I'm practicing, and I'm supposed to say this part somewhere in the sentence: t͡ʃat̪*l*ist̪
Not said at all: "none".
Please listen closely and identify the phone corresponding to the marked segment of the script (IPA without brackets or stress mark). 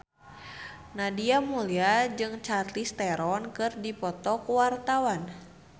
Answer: l